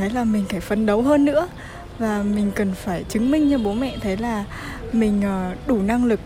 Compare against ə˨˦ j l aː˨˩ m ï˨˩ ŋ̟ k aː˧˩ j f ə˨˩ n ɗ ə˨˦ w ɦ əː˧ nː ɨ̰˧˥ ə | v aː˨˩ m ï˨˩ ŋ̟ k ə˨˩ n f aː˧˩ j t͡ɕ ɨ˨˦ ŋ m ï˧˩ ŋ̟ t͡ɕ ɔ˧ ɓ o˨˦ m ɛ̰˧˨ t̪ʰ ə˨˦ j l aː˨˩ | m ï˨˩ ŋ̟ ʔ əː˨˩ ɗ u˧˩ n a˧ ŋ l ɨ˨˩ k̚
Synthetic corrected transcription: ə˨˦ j l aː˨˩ m ï˨˩ ŋ̟ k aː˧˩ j f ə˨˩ n ɗ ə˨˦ w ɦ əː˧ nː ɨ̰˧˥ ə | v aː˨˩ m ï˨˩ ŋ̟ k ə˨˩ n f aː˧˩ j t͡ɕ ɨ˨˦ ŋ m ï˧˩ ŋ̟ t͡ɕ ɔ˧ ɓ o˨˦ m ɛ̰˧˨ t̪ʰ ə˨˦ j l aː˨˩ | m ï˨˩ ŋ̟ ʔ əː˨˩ ɗ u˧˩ n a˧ ŋ l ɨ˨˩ k̚